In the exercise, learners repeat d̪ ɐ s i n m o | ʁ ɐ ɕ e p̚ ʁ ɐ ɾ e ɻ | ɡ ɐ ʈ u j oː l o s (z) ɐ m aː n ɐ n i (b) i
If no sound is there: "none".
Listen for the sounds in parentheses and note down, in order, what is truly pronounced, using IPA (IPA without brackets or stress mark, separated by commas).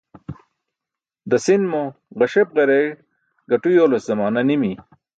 z, m